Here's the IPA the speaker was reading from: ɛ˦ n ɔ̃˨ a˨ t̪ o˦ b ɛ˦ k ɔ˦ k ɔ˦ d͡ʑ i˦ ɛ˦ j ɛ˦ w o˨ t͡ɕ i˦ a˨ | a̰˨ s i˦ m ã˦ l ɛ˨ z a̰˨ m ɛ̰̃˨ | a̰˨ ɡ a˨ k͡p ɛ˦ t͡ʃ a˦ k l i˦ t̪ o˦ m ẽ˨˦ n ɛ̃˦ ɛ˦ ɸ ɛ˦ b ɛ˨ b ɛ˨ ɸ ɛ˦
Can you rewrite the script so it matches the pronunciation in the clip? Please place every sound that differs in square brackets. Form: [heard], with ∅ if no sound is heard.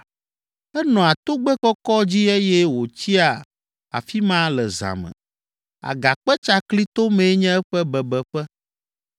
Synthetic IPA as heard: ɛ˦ n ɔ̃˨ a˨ t̪ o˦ [ɡ͡b] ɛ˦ k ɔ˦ k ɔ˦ d͡ʑ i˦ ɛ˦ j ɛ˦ w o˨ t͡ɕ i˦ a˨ | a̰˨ [f] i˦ m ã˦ l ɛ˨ z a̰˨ m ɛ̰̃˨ | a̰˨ ɡ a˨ k͡p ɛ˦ t͡ʃ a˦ k l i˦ t̪ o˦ m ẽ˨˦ [ɲ] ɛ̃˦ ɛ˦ ɸ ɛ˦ b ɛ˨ b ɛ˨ ɸ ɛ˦

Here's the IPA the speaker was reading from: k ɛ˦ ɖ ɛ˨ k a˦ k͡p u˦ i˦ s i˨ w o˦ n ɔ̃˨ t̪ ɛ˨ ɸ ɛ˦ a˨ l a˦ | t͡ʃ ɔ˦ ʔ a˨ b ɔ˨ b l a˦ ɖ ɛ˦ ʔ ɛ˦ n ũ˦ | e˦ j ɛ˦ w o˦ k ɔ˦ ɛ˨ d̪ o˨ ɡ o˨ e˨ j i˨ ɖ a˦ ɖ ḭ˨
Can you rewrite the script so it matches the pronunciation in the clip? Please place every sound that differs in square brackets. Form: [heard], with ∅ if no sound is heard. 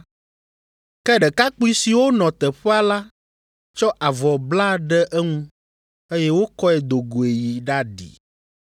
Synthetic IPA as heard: k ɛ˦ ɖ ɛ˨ k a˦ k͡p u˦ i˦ s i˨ w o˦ n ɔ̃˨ t̪ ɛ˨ ɸ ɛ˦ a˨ l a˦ | t͡ʃ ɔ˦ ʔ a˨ [v] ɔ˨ b l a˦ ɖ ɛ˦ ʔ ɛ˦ [ŋ] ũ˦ | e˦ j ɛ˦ w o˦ k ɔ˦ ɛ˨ d̪ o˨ ɡ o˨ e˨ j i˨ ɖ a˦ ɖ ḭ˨

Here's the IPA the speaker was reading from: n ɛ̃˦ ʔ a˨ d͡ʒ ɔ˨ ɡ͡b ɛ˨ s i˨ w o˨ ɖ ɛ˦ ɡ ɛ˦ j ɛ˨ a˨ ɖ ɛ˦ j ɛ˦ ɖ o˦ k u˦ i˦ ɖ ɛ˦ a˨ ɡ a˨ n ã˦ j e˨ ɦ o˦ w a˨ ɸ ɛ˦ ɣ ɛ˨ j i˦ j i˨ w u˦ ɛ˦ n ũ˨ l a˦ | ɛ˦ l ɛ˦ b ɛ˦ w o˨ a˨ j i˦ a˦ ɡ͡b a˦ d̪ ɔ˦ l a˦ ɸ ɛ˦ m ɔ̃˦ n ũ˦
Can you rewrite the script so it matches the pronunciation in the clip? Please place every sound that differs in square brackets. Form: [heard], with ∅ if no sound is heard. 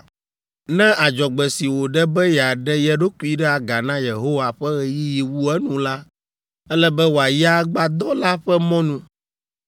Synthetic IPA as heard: n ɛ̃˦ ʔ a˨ d͡ʒ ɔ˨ ɡ͡b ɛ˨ s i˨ w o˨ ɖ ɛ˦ [b] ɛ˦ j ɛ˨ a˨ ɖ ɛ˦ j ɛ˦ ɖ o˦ k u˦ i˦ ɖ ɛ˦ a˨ ɡ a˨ n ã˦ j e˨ ɦ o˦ w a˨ ɸ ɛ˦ ɣ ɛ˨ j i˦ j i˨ w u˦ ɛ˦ n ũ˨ l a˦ | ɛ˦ l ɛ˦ b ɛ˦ w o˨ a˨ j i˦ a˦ ɡ͡b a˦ d̪ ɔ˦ l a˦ ɸ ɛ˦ m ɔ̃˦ n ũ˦

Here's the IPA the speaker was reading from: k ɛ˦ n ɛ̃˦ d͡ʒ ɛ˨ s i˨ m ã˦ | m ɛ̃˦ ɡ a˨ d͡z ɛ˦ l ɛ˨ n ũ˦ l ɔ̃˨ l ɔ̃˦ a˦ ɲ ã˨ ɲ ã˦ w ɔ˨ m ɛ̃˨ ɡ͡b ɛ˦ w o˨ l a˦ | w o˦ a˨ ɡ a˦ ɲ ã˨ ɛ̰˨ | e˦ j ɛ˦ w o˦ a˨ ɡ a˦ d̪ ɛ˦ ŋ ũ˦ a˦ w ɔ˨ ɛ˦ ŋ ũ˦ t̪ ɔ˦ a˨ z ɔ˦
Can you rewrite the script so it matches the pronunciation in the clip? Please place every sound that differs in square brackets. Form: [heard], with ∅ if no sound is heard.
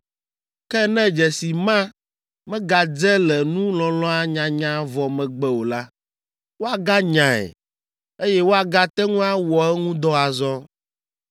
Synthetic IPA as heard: k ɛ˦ n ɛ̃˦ d͡ʒ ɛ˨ s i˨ m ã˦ | m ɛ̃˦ ɡ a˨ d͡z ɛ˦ l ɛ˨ n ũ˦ l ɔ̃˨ l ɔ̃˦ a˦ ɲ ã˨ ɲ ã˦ [v] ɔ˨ m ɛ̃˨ ɡ͡b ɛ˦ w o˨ l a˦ | w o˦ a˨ ɡ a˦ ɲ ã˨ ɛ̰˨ | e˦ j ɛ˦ w o˦ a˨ ɡ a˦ [t̪] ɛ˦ ŋ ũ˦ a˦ w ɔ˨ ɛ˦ ŋ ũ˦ [d̪] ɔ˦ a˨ z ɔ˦

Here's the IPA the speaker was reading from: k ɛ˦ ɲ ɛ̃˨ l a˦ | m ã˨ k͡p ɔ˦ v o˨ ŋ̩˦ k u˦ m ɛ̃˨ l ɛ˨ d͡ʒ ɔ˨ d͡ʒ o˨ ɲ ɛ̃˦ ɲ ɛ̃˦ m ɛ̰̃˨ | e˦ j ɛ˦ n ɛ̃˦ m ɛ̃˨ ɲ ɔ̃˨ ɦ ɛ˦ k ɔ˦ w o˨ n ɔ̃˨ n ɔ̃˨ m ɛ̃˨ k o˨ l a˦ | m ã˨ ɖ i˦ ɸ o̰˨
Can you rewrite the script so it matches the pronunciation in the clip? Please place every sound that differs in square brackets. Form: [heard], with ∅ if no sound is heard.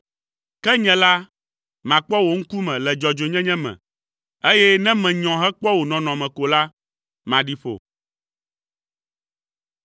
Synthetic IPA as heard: k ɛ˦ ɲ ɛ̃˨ l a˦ | m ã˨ k͡p ɔ˦ [w] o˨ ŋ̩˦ k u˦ m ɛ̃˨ l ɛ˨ d͡ʒ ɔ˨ d͡ʒ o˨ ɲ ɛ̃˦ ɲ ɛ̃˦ m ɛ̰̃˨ | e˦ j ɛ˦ n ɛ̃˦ m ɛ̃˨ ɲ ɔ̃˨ ɦ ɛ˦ [k͡p] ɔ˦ w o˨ n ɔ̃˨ n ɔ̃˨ m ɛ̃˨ k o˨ l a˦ | m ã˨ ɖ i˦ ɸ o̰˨

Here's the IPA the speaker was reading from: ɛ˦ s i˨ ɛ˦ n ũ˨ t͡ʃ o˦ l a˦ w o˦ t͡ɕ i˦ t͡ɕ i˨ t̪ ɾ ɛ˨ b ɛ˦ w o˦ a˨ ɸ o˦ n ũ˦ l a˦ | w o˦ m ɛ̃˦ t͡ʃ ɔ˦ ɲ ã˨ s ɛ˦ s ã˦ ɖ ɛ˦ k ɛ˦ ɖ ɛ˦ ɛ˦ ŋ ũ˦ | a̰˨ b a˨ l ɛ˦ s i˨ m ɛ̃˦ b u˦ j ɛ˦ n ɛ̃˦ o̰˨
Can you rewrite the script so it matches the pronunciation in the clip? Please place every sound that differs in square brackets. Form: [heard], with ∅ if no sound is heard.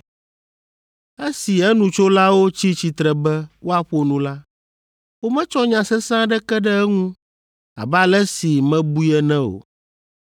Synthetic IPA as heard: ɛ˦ s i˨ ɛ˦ n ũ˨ t͡ʃ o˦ l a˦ w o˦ t͡ɕ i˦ t͡ɕ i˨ t̪ ɾ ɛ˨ b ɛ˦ w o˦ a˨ ɸ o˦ n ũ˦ l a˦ | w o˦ m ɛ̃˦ t͡ʃ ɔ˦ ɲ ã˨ s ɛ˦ s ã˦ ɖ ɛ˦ k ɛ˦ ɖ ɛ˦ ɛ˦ ŋ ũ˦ | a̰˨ b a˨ l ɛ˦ s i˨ m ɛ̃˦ b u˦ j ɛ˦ n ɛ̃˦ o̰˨

